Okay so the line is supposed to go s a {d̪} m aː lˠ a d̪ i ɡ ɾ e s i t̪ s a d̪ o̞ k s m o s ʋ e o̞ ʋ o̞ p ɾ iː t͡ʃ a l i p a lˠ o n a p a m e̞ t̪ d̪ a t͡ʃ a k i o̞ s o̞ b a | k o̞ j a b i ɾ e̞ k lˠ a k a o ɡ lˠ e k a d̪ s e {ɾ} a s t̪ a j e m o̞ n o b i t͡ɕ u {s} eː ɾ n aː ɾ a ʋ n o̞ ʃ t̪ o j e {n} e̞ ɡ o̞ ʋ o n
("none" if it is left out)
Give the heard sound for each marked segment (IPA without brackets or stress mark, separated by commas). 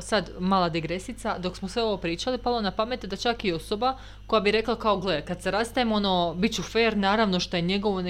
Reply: d̪, ɾ, f, ɲ